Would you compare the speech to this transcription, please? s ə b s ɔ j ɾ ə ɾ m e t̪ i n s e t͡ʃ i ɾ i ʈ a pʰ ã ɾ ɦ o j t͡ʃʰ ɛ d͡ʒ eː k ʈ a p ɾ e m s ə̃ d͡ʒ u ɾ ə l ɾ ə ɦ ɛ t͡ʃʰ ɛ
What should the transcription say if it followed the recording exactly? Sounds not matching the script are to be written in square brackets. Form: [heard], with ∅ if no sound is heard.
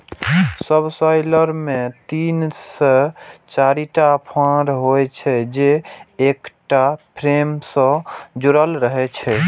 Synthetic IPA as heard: s ə b s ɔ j [l] ə ɾ m e t̪ i n s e t͡ʃ [a] ɾ i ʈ a pʰ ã ɾ ɦ o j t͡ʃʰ ɛ d͡ʒ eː k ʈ a [pʰ] ɾ e m s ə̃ d͡ʒ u ɾ ə l ɾ ə ɦ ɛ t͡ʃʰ ɛ